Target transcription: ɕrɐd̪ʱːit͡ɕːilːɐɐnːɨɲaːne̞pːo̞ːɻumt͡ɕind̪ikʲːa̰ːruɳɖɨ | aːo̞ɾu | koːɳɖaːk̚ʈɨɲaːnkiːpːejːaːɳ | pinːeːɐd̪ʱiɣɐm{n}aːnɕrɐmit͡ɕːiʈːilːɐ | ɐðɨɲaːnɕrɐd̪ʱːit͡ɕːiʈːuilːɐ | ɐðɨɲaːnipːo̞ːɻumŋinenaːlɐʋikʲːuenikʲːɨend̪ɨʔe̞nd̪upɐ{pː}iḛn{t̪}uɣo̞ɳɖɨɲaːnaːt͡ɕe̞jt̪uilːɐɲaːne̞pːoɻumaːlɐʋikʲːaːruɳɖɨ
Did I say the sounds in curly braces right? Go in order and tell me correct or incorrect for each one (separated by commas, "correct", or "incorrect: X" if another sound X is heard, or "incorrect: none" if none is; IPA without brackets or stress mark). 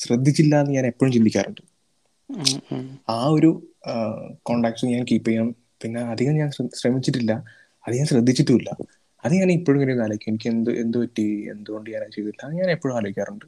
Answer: incorrect: ɲ, incorrect: tː, incorrect: d̪